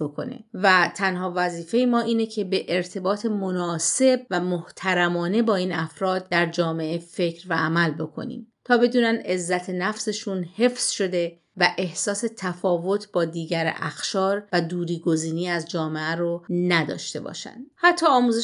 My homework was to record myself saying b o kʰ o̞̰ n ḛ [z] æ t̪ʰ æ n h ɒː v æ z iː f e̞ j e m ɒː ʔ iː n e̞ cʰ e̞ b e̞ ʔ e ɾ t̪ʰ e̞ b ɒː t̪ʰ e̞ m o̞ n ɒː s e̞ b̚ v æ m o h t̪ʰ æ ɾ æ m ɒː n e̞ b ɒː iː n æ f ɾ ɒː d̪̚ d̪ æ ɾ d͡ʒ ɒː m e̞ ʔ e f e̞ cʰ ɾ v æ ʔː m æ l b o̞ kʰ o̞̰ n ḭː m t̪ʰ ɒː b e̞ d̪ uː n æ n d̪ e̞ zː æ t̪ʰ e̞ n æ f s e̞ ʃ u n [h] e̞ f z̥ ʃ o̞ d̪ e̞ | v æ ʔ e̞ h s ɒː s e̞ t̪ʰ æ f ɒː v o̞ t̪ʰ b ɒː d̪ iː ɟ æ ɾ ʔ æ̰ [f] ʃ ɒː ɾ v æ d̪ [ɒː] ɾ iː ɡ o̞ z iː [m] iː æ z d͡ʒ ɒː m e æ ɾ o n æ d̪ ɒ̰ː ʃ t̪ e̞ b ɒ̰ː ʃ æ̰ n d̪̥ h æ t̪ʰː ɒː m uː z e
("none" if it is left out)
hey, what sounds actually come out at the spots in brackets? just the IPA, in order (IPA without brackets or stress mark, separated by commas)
v, h, x, uː, n